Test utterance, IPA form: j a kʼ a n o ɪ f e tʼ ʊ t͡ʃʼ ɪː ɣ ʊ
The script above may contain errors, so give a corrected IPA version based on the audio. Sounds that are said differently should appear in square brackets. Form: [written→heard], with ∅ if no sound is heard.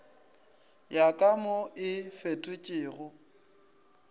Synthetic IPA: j a kʼ a [n→m] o ɪ f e tʼ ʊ t͡ʃʼ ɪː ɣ ʊ